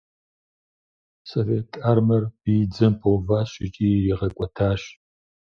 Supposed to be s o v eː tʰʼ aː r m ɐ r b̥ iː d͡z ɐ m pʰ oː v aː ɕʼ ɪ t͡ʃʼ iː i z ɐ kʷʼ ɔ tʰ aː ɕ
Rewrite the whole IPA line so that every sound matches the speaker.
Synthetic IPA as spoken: s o v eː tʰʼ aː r m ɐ r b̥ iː d͡z ɐ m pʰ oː v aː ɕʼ ɪ t͡ʃʼ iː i ʁ ɐ kʷʼ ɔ tʰ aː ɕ